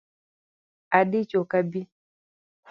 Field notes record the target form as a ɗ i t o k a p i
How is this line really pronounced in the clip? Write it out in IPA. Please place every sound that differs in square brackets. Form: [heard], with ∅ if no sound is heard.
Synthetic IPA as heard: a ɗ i [t͡ʃ] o k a [b] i